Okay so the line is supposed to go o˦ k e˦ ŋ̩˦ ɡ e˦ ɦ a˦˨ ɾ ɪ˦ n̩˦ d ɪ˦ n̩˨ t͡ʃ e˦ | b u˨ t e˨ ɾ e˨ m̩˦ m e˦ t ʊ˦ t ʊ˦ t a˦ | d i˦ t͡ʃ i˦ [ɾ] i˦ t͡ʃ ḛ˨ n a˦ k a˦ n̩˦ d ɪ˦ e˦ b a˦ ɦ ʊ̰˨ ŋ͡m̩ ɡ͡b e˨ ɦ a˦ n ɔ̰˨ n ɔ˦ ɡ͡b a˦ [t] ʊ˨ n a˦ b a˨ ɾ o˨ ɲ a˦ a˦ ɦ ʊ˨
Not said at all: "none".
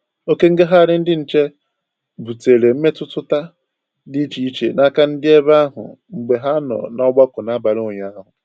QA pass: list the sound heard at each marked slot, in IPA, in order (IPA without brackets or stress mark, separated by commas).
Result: none, k